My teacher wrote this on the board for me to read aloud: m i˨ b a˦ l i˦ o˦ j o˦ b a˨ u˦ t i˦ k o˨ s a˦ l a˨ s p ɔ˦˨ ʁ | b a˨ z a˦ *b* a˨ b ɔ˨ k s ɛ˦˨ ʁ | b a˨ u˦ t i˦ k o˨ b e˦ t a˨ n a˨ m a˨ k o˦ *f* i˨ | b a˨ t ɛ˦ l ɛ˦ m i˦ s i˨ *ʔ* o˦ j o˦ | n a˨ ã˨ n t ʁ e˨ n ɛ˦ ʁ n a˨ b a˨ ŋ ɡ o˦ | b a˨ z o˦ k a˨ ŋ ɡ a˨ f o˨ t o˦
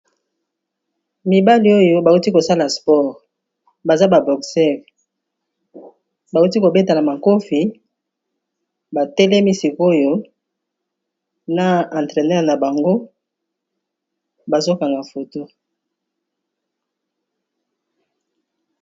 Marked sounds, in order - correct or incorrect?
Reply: correct, correct, incorrect

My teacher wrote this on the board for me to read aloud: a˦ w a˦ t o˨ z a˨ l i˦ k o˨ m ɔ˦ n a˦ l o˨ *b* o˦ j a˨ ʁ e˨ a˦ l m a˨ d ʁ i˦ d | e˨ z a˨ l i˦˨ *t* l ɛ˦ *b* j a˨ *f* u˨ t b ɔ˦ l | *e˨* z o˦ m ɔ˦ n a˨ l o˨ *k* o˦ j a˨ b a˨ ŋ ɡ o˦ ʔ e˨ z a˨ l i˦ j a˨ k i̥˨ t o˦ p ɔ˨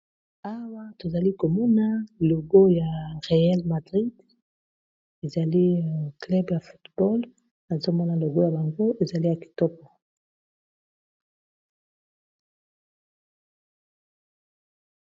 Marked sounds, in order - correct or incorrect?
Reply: incorrect, incorrect, correct, correct, incorrect, incorrect

